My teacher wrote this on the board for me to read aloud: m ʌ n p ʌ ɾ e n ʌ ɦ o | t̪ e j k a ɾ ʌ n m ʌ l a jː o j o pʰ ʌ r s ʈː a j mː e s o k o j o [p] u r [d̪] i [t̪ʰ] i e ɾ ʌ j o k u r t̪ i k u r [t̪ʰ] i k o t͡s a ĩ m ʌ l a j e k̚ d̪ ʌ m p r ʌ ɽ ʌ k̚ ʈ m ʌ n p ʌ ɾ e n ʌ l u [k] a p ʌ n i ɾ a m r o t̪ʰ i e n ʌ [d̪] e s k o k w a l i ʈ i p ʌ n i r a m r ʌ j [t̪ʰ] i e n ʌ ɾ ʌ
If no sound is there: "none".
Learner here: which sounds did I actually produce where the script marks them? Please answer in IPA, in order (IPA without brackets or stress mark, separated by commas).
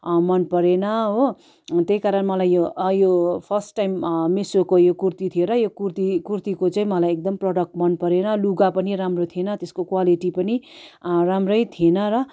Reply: k, t̪, t̪ʰ, t̪, ɡ, t̪, t̪ʰ